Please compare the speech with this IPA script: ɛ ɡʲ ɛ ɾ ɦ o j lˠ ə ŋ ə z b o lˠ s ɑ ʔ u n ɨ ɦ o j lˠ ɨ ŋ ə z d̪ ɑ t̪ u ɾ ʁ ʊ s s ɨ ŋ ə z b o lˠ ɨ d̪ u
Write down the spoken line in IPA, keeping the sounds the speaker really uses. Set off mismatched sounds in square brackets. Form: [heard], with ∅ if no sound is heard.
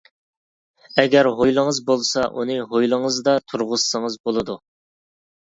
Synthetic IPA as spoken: ɛ ɡʲ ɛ ɾ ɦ o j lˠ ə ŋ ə z b o lˠ s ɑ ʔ u n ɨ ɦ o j lˠ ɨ ŋ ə z d̪ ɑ [t̪ʰ] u ɾ ʁ ʊ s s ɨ ŋ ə z b o lˠ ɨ d̪ u